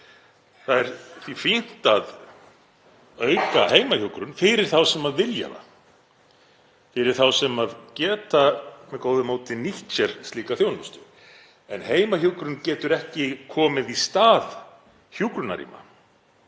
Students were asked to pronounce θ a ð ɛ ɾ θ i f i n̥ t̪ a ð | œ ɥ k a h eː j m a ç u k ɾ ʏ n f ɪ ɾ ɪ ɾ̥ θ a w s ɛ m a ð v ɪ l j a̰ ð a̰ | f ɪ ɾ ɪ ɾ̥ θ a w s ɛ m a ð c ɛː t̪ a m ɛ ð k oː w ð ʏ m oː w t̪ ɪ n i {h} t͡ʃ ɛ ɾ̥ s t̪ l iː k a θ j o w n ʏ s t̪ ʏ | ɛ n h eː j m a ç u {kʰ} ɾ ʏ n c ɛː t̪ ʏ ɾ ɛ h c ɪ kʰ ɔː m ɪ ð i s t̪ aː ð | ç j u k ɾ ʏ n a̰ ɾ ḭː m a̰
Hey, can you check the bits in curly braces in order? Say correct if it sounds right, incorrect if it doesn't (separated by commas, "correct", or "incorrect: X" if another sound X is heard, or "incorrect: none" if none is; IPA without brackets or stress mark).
correct, incorrect: k